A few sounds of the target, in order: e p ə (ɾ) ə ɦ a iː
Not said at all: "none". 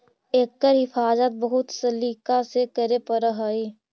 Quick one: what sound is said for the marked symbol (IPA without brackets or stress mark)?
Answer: ɾ